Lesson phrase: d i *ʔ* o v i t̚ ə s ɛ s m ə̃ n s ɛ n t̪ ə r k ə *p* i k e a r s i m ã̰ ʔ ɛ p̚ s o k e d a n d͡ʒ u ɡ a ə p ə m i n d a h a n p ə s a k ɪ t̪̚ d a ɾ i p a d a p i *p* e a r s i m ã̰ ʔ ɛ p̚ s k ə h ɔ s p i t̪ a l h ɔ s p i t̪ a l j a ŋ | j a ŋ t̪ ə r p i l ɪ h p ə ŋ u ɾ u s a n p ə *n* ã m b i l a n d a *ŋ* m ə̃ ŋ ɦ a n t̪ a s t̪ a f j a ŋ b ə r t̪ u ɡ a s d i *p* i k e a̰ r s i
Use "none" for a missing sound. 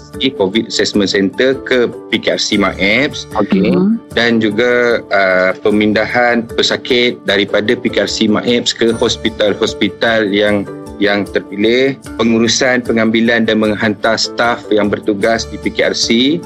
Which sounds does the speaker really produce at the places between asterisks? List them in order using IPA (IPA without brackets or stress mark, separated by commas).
k, p, k, ŋ, n, p